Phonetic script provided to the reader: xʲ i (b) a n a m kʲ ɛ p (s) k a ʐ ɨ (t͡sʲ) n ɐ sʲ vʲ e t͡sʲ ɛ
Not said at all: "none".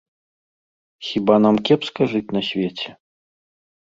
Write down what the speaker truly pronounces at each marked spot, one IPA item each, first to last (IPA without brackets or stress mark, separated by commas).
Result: b, s, t͡sʲ